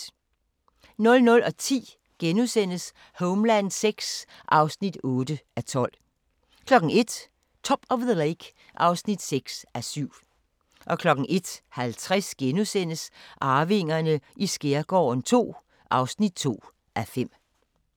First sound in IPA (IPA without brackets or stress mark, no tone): n